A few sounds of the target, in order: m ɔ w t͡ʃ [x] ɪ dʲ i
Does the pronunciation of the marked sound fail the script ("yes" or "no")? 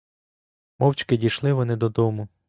yes